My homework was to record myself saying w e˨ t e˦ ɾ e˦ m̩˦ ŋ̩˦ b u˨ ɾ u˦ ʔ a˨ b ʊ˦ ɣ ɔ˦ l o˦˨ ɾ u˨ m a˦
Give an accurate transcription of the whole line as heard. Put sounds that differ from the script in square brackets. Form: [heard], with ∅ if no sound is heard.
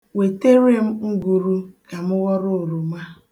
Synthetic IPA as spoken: w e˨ t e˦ ɾ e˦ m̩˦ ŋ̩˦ [ɡ] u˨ ɾ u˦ [k] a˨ [m] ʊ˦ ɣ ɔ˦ [ɾ] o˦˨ ɾ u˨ m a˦